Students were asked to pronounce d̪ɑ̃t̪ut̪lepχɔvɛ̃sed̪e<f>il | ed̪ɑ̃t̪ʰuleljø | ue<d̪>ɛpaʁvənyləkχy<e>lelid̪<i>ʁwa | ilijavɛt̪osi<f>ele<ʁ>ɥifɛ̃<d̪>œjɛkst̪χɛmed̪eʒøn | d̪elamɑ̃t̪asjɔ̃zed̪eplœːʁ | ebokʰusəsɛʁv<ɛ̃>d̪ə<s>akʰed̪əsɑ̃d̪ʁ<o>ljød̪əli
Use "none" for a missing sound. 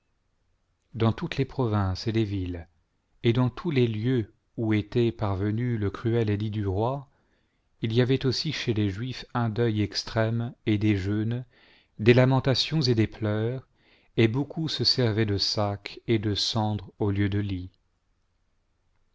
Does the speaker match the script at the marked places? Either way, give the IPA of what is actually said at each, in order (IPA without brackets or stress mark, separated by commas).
v, t̪, ɛ, y, ʃ, ʒ, d̪, ɛ, s, o